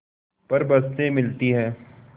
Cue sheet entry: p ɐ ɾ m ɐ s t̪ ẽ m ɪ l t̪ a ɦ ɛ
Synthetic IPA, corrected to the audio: p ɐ ɾ b ɐ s t̪ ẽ m ɪ l t̪ i ɦ ɛː